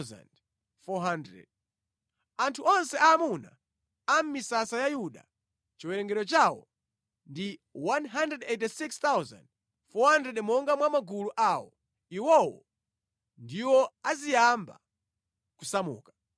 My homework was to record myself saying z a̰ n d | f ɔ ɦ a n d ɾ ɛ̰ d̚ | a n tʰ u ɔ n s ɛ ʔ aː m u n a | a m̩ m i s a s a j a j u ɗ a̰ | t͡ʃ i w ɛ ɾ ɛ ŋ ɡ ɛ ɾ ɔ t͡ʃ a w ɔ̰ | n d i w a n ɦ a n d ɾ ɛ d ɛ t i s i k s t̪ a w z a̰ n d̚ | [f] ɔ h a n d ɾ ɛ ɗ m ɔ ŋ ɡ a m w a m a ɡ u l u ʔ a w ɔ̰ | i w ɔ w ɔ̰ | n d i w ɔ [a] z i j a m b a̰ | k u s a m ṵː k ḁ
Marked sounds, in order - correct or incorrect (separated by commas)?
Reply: correct, correct